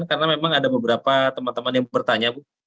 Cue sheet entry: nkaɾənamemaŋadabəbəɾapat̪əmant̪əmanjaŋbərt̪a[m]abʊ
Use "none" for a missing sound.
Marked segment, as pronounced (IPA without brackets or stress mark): ɲ